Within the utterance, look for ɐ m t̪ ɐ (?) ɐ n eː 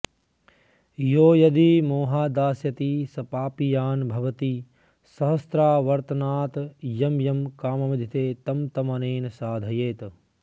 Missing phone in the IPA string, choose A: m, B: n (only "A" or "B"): A